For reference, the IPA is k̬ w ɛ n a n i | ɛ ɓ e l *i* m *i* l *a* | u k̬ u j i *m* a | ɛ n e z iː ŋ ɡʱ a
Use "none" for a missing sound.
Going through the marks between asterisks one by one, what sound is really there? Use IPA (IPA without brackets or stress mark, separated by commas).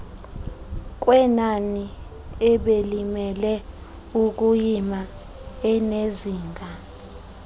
i, ɛ, ɛ, m